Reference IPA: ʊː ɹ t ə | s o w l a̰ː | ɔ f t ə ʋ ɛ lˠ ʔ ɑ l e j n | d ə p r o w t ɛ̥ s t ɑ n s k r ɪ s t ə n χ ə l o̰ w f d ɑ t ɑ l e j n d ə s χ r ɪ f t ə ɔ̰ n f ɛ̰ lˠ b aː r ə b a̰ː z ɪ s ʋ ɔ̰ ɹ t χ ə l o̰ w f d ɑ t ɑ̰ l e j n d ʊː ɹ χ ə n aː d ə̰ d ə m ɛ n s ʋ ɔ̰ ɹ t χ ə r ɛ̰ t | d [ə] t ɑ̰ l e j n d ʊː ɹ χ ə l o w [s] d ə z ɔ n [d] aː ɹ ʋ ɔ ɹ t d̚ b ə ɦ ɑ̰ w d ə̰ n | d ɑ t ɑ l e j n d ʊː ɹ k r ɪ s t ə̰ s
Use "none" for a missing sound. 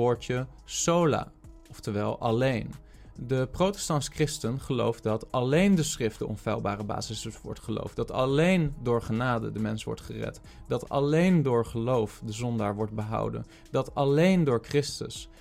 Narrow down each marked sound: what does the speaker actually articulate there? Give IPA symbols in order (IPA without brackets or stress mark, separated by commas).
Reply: ɑ, f, d